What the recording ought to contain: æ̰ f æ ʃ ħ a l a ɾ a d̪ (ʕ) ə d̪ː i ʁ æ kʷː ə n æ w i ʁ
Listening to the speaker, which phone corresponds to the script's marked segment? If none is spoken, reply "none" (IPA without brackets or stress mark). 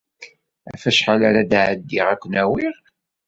ʕ